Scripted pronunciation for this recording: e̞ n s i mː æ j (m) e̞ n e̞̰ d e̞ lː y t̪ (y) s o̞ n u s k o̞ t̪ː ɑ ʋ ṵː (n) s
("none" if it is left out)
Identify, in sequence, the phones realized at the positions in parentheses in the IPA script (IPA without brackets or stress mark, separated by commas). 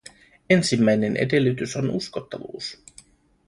n, y, none